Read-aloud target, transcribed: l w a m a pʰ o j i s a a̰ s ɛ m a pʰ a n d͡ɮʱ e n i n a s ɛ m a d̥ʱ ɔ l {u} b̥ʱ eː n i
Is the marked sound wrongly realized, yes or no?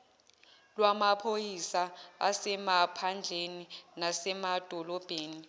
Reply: yes